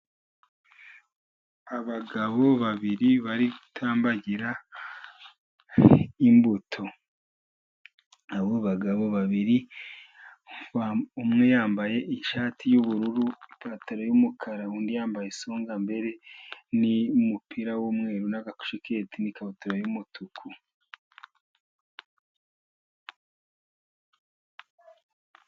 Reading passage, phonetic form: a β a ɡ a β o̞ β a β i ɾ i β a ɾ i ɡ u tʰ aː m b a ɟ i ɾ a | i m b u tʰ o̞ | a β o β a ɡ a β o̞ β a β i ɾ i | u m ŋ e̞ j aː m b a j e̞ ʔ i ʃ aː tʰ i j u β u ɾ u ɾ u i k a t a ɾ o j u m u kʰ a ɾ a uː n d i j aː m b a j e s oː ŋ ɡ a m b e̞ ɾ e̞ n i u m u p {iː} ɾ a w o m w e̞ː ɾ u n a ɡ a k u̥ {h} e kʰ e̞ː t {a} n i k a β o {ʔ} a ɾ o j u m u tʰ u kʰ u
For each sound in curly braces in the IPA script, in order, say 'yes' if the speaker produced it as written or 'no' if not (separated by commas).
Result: no, no, no, no